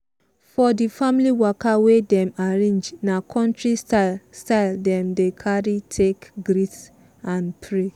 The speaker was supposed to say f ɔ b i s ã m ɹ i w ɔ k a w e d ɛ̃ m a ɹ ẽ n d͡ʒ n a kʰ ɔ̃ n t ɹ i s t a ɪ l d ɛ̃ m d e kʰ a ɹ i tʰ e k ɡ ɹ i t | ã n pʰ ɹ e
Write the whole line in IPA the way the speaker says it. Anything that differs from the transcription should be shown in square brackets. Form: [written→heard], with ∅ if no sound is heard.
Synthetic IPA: f ɔ [b→d] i [s→f] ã m [ɹ→l] i w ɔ k a w e d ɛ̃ m a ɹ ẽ n d͡ʒ n a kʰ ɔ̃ n t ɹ i s t a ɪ l d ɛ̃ m d e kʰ a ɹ i tʰ e k ɡ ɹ i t | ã n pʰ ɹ e